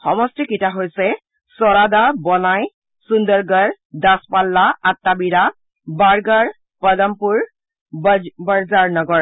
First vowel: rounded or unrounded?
rounded